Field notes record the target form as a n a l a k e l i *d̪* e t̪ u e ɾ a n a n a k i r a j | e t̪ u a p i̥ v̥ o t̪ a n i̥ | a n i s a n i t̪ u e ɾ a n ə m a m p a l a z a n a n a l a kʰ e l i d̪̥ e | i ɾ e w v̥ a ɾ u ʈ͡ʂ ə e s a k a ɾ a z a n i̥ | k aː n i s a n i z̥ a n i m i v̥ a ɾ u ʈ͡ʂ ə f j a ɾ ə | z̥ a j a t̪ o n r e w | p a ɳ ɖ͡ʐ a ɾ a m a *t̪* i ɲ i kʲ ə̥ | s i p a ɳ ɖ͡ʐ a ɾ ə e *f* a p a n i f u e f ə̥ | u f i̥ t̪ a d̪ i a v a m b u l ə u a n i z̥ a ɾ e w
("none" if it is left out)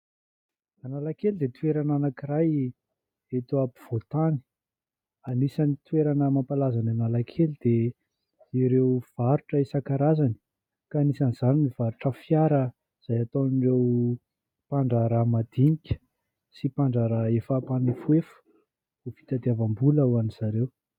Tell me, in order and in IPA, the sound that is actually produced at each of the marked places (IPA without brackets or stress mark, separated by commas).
d̪, d̪, f